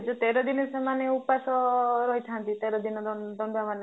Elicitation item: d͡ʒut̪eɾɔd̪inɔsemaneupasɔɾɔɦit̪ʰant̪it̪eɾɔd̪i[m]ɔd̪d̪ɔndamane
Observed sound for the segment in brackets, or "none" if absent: n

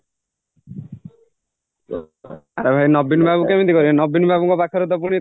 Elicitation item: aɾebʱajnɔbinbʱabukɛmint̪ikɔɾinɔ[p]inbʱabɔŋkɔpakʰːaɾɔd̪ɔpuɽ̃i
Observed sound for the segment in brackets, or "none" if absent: b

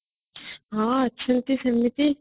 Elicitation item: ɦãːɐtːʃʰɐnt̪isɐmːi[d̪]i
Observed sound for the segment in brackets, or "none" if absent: t̪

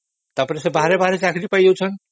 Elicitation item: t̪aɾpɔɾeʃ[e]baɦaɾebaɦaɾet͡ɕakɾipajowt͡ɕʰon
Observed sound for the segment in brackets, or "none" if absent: e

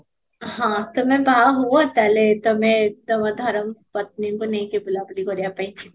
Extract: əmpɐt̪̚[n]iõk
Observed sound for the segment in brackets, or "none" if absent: n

